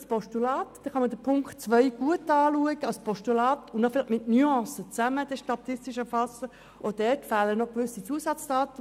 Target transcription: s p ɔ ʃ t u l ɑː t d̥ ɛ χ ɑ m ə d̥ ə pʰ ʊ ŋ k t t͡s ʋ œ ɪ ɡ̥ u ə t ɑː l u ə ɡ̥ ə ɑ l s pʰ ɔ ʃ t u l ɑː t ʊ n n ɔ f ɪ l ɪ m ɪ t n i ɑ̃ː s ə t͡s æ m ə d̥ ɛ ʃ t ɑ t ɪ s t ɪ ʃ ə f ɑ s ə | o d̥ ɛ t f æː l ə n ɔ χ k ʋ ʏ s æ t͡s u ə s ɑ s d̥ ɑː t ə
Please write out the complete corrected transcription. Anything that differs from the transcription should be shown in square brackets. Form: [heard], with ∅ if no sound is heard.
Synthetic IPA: s p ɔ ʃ t u l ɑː t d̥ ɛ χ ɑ m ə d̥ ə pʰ ʊ ŋ k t t͡s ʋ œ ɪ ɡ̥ u ə t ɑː l u ə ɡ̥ ə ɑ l s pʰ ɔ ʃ t u l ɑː t ʊ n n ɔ f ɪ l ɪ m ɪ t n [y] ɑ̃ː s ə t͡s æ m ə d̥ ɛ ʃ t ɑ t ɪ s t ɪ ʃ ə f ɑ s ə | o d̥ ɛ t f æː l ə n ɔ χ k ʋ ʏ s [i] t͡s u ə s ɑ [t͡s] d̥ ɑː t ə